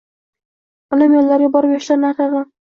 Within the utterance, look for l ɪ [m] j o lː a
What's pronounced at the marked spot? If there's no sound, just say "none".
m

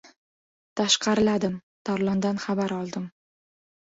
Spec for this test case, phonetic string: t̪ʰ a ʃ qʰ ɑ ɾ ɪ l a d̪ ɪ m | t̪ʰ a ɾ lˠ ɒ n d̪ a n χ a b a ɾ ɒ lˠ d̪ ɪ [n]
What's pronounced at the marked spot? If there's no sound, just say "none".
m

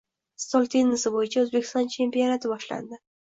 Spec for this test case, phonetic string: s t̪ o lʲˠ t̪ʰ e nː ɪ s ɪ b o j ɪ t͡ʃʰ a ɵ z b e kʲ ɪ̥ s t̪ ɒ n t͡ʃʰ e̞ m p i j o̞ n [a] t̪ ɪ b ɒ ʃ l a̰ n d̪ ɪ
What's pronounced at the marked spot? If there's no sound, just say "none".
a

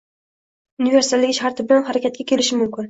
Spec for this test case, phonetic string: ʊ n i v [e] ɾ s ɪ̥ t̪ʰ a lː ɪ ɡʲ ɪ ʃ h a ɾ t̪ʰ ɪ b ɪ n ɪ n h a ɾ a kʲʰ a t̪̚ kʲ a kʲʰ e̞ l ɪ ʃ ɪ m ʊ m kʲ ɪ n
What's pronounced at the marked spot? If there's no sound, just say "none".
e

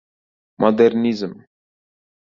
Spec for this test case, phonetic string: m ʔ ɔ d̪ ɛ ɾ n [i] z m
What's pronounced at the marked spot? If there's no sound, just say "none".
i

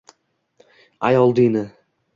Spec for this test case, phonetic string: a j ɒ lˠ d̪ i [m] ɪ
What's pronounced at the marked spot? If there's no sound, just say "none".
n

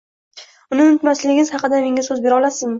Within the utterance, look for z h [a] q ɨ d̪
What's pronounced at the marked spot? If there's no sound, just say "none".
ɑ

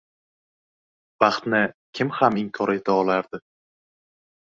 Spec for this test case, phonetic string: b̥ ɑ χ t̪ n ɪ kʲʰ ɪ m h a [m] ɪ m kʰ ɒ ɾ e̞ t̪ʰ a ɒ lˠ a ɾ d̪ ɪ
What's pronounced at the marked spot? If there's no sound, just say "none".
m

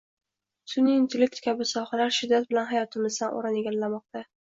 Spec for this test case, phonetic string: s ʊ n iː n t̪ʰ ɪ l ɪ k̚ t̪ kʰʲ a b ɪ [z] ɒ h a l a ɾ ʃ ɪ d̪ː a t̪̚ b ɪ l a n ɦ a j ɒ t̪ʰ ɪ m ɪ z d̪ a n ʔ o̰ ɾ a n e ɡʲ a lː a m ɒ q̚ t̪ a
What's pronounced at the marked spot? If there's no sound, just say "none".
s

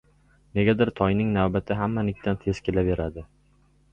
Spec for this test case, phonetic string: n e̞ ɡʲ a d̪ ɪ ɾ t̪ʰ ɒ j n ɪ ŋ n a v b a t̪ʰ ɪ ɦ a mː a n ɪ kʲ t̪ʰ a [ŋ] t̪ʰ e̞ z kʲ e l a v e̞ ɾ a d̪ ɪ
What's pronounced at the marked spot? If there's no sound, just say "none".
n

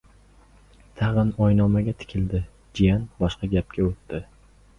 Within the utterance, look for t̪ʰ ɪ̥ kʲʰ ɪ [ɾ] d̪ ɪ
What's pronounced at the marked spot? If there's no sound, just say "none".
l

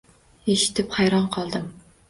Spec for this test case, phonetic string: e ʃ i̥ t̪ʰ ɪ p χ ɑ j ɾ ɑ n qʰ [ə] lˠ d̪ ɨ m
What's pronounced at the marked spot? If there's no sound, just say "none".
ɑ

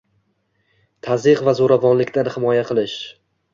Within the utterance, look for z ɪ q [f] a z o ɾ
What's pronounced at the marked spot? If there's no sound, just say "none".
v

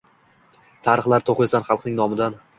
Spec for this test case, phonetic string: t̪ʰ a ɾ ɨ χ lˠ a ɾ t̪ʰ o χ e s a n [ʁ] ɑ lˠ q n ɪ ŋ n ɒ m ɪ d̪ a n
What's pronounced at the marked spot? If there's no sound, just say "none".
χ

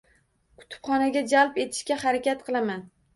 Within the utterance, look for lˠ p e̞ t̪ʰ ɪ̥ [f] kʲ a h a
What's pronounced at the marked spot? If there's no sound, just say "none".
ʃ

